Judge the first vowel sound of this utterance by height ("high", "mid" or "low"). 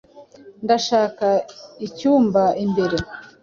low